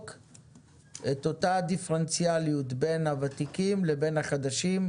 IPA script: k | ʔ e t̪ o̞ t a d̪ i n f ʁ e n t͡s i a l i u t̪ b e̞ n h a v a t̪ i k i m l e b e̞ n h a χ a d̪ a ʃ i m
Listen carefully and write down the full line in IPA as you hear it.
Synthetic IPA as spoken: k | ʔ e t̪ o̞ t a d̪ i f ʁ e n t͡s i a l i u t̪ b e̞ n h a v a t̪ i k i m l e b e̞ n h a χ a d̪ a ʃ i m